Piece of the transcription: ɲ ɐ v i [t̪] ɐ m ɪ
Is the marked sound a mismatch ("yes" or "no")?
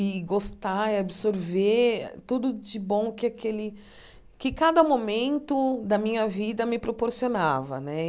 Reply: yes